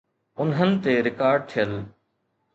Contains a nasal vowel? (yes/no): no